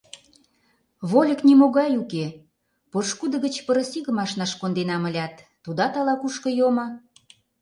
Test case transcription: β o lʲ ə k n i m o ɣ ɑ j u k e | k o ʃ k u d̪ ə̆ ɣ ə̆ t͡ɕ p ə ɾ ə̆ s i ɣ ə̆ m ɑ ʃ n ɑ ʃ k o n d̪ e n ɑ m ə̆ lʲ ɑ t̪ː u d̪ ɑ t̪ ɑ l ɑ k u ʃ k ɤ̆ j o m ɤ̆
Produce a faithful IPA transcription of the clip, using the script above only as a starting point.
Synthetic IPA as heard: β o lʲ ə k n i m o ɣ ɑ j u k e | p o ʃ k u d̪ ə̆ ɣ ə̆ t͡ɕ p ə ɾ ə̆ s i ɣ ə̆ m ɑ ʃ n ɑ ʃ k o n d̪ e n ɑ m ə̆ lʲ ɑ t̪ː u d̪ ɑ t̪ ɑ l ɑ k u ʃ k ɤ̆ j o m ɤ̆